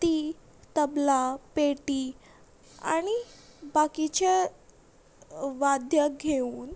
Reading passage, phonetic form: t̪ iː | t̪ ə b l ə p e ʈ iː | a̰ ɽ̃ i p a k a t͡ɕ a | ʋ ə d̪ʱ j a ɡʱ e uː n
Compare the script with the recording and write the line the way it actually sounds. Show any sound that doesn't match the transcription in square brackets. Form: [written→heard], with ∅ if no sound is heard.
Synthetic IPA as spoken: t̪ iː | t̪ ə b l [ə→a] p e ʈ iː | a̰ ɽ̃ i [p→b] a k [a→i] t͡ɕ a | ʋ [ə→a] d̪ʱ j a ɡʱ e uː n